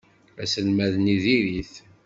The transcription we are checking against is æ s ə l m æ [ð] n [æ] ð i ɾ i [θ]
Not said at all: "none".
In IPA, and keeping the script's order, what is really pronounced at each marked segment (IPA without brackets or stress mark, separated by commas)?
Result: ð, i, θ